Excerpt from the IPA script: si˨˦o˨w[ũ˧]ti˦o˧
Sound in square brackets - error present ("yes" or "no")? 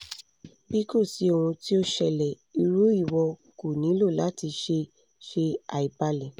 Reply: no